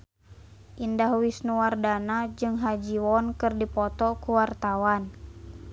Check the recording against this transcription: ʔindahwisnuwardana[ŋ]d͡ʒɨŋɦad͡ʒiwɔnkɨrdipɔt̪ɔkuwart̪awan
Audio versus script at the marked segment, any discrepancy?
yes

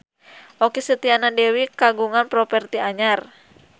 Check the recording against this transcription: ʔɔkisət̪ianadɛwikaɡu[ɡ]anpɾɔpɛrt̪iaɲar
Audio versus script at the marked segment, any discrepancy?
yes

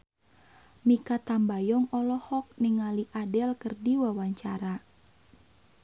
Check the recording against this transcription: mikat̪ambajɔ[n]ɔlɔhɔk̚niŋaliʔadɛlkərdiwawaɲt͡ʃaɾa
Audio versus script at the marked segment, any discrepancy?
yes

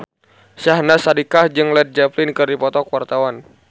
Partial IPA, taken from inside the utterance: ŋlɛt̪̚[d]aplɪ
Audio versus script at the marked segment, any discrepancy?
yes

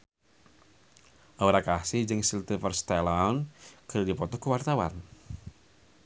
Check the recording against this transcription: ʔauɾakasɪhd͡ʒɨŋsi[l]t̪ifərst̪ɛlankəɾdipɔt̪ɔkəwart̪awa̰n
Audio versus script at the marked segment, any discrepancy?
no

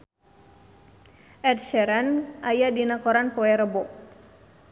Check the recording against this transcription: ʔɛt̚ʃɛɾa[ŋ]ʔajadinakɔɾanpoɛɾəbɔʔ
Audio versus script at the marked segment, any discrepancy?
yes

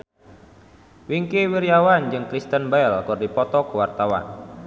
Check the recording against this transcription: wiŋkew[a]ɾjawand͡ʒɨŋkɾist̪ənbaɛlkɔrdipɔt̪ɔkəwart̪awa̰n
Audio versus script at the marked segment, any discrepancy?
yes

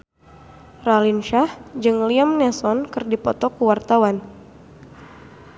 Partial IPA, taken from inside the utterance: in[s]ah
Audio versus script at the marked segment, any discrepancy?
yes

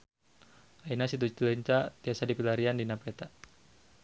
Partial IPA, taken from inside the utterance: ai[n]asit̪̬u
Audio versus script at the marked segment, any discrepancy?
no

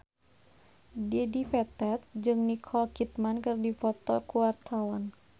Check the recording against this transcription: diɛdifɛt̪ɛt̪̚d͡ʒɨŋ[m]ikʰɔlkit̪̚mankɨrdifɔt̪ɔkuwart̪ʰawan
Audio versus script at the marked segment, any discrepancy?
yes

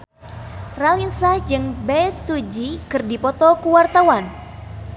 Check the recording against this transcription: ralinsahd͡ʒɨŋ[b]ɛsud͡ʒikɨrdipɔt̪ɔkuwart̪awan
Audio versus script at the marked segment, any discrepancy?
no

